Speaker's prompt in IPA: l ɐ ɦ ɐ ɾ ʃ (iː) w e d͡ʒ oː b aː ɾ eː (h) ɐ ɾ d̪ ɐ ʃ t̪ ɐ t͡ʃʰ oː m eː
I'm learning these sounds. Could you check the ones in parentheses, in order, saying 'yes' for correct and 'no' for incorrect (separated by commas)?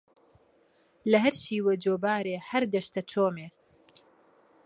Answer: yes, yes